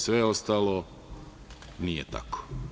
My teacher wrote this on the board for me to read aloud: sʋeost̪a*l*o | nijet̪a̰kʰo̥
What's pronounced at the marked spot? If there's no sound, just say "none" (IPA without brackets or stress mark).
l